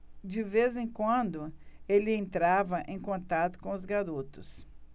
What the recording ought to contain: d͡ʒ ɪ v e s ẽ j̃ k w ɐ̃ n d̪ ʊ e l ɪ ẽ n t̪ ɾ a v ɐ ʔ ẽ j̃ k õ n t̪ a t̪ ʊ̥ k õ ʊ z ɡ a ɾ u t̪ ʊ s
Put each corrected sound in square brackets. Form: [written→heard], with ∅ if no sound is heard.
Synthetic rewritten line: d͡ʒ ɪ v e [s→z] ẽ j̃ k w ɐ̃ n d̪ ʊ e l ɪ ẽ n t̪ ɾ a v ɐ ʔ ẽ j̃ k õ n t̪ a t̪ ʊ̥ k õ ʊ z ɡ a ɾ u t̪ ʊ s